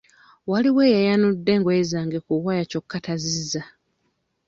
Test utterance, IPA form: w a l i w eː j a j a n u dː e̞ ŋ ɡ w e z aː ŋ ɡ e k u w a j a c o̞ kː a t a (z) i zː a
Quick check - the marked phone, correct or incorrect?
correct